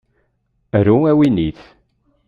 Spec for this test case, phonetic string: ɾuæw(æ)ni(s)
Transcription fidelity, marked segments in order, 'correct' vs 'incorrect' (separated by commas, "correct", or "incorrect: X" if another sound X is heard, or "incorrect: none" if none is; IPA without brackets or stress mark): incorrect: i, incorrect: θ